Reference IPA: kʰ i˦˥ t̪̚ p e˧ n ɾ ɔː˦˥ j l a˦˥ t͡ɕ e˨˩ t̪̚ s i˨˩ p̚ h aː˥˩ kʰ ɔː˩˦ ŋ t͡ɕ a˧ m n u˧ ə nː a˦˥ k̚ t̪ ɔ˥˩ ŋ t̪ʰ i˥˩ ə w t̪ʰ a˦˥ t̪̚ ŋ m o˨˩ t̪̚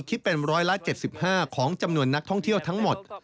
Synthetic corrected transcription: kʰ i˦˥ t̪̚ p e˧ n ɾ ɔː˦˥ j l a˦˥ t͡ɕ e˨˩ t̪̚ s i˨˩ p̚ h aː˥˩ kʰ ɔː˩˦ ŋ t͡ɕ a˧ m n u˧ ə nː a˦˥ k̚ t̪ʰ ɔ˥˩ ŋ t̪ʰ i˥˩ ə w t̪ʰ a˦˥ ŋ m o˨˩ t̪̚

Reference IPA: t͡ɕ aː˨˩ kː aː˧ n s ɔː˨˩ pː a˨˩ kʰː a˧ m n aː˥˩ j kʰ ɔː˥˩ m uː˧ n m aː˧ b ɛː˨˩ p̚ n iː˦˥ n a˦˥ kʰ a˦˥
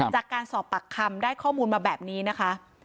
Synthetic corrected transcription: t͡ɕ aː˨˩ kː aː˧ n s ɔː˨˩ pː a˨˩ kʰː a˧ m d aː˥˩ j kʰ ɔː˥˩ m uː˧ n m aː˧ b ɛː˨˩ p̚ n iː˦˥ n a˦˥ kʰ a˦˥

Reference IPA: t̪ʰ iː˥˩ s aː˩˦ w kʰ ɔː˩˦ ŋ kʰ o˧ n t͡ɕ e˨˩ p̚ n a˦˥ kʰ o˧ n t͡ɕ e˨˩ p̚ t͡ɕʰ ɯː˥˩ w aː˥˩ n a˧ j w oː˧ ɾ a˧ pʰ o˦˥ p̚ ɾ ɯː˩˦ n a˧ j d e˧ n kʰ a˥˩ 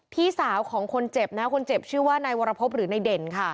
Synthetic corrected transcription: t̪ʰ iː˥˩ s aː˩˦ w kʰ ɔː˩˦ ŋ kʰ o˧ n t͡ɕ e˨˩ p̚ n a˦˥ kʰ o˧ n t͡ɕ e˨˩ p̚ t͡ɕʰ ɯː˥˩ w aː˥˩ n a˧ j w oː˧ ɾ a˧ pʰ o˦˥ p̚ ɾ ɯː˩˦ n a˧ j d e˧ n kʰ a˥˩

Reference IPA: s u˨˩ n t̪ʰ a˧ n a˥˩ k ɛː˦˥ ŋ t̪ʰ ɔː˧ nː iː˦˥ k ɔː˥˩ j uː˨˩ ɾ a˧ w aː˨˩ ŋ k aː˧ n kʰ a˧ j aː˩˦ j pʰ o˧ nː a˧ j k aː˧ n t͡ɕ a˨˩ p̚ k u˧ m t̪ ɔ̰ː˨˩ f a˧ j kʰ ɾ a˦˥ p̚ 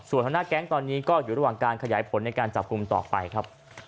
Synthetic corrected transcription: s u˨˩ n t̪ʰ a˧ n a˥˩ k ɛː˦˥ ŋ t̪ ɔː˧ nː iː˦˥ k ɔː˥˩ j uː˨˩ ɾ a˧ w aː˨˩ ŋ k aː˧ n kʰ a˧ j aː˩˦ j pʰ o˩˦ nː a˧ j k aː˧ n t͡ɕ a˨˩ p̚ k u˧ m t̪ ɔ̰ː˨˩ f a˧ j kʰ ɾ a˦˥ p̚

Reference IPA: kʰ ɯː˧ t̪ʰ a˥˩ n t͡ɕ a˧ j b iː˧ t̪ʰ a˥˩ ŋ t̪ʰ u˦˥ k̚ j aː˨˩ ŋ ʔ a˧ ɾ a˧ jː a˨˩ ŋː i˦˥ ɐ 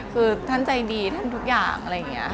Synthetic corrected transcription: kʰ ɯː˧ t̪ʰ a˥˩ n t͡ɕ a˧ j d iː˧ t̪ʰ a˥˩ n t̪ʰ u˦˥ k̚ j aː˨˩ ŋ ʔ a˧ ɾ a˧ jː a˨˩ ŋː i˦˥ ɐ

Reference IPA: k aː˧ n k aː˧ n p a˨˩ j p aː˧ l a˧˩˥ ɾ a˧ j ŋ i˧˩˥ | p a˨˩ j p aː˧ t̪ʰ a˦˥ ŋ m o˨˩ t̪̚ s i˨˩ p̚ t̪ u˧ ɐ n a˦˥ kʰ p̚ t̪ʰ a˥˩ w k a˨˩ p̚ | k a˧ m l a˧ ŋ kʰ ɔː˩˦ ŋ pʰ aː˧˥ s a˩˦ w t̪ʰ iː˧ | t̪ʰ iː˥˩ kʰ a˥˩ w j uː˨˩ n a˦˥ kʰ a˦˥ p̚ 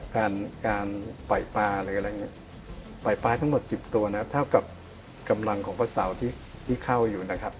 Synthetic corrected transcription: k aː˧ n k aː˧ n p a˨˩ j p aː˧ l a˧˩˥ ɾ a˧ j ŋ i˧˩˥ | p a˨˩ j p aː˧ t̪ʰ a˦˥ ŋ m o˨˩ t̪̚ s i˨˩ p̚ t̪ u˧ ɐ n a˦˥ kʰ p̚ t̪ʰ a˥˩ w k a˨˩ p̚ | k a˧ m l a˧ ŋ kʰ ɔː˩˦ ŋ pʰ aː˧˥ s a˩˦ w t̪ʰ iː˥˩ | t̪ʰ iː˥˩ kʰ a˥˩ w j uː˨˩ n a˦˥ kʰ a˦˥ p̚

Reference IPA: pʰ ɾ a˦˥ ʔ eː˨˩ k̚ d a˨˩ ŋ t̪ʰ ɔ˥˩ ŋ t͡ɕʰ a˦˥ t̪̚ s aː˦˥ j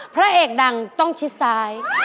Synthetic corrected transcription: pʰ ɾ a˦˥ ʔ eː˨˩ k̚ d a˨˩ ŋ t̪ ɔ˥˩ ŋ t͡ɕʰ i˦˥ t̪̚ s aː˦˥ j

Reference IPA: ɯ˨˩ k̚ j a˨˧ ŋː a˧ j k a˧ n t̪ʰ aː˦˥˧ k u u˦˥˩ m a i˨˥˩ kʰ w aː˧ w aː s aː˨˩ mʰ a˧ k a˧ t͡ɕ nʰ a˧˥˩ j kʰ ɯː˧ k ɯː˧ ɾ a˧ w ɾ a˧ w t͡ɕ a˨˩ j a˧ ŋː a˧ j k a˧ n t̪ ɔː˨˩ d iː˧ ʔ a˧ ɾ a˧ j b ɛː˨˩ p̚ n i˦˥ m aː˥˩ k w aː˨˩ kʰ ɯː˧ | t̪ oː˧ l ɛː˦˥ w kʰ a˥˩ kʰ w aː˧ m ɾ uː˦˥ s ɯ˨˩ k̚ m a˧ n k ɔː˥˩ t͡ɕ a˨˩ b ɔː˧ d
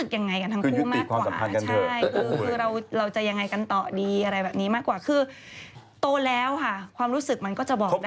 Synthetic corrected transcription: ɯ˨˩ k̚ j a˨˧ ŋː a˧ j k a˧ n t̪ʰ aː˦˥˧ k u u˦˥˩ m a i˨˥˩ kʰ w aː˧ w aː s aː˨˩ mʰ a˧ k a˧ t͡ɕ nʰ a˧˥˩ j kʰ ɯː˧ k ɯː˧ ɾ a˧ w ɾ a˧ w t͡ɕ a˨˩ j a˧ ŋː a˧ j k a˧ n t̪ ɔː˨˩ d iː˧ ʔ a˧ ɾ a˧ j b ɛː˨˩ p̚ n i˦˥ m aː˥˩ k w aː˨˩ kʰ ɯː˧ | t̪ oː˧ l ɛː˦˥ w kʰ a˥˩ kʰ w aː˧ m ɾ uː˦˥ s ɯ˨˩ k̚ m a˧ n k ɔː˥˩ t͡ɕ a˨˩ b ɔː˨˩ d

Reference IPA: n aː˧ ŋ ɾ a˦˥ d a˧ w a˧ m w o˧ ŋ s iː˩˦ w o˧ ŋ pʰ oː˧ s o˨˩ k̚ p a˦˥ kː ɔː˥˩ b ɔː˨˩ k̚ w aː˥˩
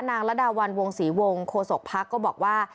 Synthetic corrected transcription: n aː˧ ŋ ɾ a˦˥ d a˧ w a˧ n w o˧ ŋ s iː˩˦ w o˧ ŋ kʰ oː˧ s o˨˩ k̚ pʰ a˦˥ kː ɔː˥˩ b ɔː˨˩ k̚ w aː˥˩

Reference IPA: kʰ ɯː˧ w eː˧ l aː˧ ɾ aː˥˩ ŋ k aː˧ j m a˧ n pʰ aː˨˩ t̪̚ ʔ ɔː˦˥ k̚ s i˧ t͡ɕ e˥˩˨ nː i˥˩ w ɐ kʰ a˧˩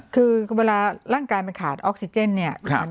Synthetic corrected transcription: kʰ ɯː˧ w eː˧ l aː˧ ɾ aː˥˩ ŋ k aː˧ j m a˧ n kʰ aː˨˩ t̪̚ ʔ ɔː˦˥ k̚ s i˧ t͡ɕ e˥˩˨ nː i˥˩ ɐ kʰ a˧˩

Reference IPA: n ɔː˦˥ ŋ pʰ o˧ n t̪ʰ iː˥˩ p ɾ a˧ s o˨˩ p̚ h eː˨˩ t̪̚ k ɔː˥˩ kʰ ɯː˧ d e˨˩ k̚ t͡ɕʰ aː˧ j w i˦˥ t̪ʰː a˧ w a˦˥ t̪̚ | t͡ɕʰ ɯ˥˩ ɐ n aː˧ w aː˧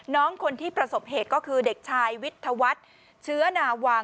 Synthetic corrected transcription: n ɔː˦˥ ŋ kʰ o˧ n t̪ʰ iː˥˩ p ɾ a˧ s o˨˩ p̚ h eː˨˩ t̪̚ k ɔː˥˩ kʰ ɯː˧ d e˨˩ k̚ t͡ɕʰ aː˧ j w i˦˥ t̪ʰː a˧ w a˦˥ t̪̚ | t͡ɕʰ ɯ˦˥ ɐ n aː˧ w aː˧

